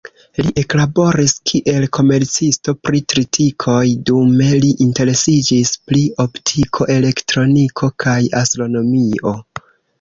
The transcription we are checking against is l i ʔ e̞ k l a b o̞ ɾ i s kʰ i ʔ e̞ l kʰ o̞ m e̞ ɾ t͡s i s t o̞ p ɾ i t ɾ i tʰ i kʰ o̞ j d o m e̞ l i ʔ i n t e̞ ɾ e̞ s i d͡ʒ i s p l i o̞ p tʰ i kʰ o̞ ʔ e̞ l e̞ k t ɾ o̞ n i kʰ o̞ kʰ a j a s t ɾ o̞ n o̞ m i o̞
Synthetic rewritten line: l i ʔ e̞ k l a b o̞ ɾ i s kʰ i ʔ e̞ l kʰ o̞ m e̞ ɾ t͡s i s t o̞ p ɾ i t ɾ i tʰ i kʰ o̞ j d u m e̞ l i ʔ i n t e̞ ɾ e̞ s i d͡ʒ i s p l i o̞ p tʰ i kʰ o̞ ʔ e̞ l e̞ k t ɾ o̞ n i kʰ o̞ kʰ a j a s t ɾ o̞ n o̞ m i o̞